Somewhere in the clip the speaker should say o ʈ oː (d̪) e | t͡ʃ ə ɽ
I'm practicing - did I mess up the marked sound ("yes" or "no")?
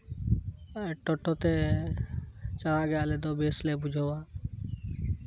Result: yes